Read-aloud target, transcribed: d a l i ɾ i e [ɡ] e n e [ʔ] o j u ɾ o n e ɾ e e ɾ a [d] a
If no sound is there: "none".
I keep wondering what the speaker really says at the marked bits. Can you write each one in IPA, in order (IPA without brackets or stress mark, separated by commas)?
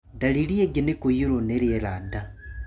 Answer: ɡ, k, d